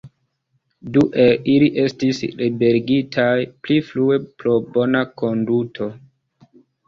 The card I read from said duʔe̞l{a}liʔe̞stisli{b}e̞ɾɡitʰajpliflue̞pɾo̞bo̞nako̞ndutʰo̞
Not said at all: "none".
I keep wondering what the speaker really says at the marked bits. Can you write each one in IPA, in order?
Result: i, b

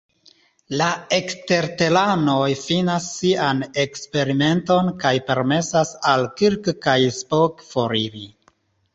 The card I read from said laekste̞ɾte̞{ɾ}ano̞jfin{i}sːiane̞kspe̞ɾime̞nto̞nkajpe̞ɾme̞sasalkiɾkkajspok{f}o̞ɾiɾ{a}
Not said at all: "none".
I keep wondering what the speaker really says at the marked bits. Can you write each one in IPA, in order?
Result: l, a, f, i

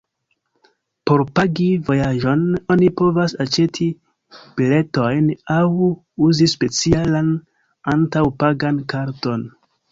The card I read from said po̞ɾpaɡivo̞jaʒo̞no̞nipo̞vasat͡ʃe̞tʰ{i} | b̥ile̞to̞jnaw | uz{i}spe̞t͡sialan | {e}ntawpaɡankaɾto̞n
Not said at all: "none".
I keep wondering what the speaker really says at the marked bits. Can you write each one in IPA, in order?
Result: i, i, a

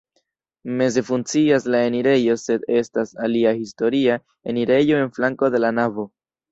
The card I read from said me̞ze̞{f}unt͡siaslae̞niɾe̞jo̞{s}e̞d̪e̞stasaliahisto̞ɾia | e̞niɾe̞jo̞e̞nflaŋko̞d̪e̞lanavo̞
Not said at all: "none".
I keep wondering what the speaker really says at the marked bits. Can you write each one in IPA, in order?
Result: f, s

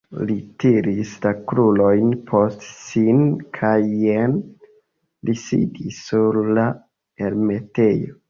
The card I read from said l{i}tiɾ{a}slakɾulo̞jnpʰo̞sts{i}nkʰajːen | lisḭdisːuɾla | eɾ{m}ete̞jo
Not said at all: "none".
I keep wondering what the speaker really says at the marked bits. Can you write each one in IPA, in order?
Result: i, i, i, m

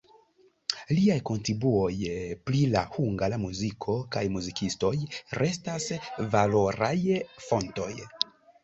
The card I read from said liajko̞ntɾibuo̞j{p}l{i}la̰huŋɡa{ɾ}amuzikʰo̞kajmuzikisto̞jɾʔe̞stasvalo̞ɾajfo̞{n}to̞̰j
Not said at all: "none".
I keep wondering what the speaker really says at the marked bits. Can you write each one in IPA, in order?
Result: p, i, l, n

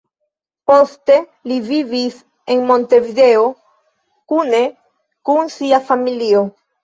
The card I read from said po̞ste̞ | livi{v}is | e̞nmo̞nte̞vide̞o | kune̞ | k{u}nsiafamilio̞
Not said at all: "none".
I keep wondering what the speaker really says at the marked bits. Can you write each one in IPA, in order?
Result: v, u

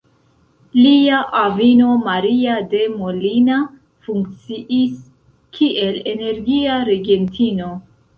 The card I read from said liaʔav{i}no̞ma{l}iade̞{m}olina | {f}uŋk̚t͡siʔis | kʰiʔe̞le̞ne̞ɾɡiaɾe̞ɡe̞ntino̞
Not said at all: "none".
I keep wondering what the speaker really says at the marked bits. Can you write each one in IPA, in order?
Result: i, ɾ, m, f

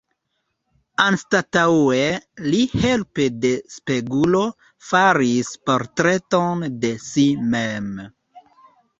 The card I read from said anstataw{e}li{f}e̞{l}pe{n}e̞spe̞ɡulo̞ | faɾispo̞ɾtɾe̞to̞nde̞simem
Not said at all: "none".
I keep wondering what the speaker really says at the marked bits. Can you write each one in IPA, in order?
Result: e, h, l, d

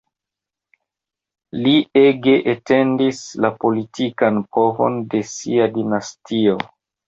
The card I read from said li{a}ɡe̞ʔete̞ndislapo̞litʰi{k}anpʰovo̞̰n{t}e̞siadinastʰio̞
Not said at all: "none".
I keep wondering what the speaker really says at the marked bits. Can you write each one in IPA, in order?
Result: e, k, d

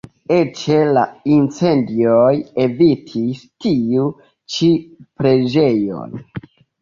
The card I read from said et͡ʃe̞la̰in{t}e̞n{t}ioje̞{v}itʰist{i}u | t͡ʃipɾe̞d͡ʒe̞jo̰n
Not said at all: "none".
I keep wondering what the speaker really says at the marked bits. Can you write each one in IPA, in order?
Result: t͡s, d, v, i

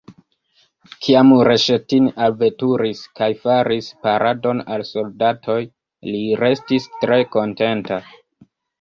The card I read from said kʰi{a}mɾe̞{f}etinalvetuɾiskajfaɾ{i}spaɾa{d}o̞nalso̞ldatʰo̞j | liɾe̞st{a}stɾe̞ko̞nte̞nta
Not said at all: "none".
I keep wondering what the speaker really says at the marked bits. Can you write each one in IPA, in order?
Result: a, ʃ, i, d, i

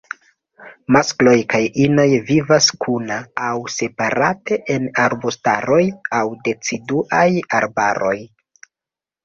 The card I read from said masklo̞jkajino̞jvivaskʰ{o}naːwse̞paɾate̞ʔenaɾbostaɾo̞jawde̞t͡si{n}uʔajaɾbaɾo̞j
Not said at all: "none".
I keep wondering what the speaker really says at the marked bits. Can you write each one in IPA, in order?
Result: u, d

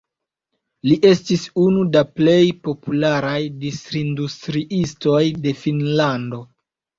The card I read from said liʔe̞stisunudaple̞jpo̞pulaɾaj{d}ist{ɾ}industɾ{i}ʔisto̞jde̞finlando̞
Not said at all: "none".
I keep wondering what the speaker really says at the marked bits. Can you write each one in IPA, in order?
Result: d, ɾ, i

